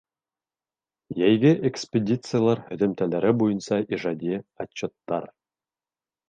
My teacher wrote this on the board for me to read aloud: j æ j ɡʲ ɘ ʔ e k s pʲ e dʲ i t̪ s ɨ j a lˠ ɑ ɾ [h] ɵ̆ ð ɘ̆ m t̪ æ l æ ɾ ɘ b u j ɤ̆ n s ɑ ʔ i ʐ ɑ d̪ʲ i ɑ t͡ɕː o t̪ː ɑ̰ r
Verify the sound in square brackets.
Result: correct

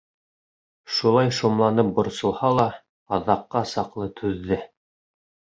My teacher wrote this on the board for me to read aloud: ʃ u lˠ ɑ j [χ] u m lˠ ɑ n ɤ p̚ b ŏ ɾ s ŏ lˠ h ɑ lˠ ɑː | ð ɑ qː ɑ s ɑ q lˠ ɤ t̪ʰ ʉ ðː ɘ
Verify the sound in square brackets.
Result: incorrect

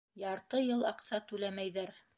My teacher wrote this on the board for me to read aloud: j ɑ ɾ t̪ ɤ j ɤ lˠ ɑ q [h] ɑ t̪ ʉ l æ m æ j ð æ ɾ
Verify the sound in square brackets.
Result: incorrect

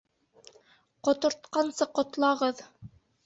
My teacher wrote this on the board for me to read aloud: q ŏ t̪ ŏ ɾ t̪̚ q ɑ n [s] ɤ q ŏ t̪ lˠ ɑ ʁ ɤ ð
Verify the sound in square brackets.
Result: correct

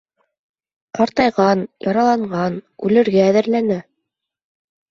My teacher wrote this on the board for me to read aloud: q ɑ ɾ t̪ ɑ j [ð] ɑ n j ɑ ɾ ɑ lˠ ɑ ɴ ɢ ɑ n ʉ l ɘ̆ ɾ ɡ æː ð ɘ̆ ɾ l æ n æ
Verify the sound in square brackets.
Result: incorrect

